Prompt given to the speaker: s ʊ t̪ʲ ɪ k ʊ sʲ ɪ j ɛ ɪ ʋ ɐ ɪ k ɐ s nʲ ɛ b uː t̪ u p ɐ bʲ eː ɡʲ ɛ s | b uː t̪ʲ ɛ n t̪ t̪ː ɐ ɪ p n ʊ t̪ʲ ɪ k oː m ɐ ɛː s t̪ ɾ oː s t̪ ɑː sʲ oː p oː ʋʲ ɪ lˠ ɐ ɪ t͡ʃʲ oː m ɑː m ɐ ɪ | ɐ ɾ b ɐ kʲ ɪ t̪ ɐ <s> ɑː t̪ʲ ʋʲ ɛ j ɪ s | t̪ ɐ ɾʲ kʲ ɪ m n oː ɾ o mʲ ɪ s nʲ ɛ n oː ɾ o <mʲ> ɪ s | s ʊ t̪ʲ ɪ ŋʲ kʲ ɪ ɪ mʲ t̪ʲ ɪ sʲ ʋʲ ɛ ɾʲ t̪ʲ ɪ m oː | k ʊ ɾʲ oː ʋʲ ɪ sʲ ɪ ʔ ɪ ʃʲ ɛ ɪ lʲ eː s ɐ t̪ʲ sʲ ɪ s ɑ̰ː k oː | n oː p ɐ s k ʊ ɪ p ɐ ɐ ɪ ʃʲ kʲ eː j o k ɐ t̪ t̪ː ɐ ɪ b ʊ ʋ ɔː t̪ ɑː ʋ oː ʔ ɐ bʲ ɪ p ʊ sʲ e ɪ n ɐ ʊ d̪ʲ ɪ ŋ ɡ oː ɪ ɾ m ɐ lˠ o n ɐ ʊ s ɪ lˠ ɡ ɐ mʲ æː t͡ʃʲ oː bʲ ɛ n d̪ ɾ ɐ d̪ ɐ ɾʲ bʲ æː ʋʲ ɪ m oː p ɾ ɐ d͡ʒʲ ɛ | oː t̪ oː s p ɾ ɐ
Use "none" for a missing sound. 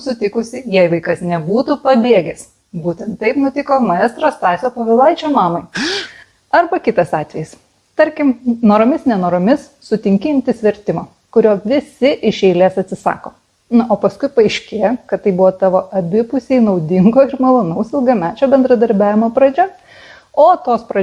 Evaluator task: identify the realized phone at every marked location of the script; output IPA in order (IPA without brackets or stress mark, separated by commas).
s, mʲ